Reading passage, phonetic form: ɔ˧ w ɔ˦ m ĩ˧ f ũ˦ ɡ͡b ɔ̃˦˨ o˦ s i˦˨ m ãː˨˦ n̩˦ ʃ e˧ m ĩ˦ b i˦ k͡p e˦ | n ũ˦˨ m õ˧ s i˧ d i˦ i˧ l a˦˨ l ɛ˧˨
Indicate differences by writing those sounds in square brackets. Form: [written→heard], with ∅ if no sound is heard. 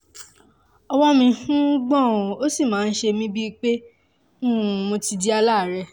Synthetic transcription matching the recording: ɔ˧ w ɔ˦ m ĩ˧ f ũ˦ ɡ͡b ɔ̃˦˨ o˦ s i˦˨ m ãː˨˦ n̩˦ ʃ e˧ m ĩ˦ b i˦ k͡p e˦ | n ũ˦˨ m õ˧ [s→t] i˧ d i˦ [i˧→a˧] l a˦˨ [l→ɾ] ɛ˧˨

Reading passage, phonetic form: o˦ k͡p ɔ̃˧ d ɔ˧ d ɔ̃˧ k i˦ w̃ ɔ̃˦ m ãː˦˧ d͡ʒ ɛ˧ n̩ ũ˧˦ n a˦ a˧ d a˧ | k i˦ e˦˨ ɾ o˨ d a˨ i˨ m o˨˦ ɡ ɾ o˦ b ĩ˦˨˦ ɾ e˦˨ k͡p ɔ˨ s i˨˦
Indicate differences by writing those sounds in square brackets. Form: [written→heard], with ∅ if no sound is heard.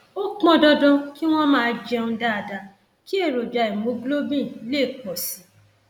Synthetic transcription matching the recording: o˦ k͡p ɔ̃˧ d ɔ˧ d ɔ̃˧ k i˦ w̃ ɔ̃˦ m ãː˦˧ d͡ʒ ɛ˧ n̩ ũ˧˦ [n→d] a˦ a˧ d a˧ | k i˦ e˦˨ ɾ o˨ [d→d͡ʒ] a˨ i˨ m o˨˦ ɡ [ɾ→l] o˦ b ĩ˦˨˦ [ɾ→l] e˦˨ k͡p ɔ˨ s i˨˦

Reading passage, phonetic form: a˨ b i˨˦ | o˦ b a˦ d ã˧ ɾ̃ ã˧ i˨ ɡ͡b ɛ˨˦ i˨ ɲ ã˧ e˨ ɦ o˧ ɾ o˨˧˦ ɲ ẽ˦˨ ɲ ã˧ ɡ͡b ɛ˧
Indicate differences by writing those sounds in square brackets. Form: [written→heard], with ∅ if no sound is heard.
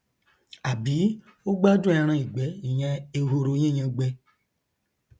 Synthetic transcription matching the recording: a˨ b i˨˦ | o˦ [b→ɡ͡b] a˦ d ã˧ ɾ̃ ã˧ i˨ ɡ͡b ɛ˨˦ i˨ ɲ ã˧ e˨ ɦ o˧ ɾ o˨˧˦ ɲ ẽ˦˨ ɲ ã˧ ɡ͡b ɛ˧

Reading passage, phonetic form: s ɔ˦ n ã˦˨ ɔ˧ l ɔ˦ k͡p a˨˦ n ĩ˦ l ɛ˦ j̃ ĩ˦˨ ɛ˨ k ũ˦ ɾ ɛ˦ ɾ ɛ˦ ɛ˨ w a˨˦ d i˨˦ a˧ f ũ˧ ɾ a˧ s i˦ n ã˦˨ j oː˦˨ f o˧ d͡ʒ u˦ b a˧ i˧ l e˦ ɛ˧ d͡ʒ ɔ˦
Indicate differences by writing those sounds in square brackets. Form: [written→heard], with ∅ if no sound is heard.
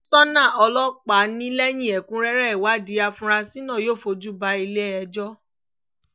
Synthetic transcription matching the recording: s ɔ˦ n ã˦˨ ɔ˧ l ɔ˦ k͡p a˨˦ n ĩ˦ l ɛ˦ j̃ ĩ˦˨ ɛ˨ k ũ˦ ɾ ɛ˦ ɾ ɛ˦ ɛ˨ w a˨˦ d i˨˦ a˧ f ũ˧ ɾ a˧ s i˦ n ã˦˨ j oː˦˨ f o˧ d͡ʒ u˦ b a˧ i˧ l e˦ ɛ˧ d͡ʒ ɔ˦

